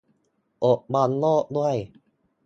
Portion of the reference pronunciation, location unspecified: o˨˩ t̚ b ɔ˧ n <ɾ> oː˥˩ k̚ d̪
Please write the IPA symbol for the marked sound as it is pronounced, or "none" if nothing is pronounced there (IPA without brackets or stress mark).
l